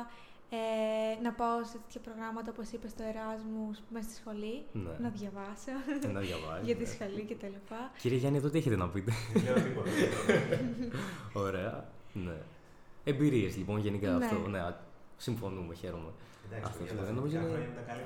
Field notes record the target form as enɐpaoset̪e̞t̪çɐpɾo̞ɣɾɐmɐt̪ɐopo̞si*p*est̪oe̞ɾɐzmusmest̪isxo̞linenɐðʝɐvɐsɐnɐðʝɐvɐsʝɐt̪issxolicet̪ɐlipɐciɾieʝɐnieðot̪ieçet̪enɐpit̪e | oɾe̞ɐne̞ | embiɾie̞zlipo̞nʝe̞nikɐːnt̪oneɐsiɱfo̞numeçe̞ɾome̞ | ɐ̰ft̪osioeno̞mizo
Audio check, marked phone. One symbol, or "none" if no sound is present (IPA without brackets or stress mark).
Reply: p